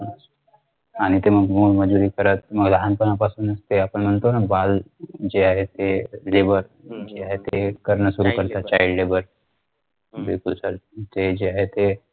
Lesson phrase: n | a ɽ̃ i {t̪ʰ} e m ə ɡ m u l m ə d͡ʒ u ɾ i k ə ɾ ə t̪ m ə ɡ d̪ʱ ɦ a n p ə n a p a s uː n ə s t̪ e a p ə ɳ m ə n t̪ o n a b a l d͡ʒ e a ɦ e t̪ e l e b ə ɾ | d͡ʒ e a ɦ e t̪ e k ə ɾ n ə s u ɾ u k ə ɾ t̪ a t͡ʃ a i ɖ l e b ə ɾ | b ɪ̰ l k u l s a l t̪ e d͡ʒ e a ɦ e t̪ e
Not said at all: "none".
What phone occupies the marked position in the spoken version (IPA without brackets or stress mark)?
t̪